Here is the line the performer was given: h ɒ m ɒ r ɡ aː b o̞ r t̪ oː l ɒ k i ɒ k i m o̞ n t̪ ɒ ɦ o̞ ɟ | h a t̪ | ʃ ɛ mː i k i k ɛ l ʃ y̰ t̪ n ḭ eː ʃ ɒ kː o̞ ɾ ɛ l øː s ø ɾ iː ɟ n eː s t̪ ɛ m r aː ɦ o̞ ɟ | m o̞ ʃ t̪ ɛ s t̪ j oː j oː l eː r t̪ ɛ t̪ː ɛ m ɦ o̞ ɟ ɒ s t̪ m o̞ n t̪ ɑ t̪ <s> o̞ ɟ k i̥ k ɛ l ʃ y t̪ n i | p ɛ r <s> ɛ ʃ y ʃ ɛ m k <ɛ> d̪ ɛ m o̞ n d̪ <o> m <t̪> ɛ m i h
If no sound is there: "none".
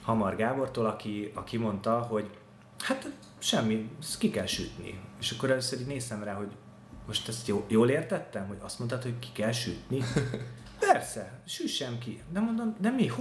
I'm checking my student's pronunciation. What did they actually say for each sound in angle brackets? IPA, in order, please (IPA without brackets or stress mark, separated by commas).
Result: h, s, i, o, d̪